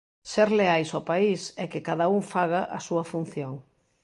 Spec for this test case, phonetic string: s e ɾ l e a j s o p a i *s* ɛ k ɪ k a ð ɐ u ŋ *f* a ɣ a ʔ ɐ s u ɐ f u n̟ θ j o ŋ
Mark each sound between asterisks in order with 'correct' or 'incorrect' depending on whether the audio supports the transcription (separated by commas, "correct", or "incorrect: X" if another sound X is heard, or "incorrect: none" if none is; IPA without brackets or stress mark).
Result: correct, correct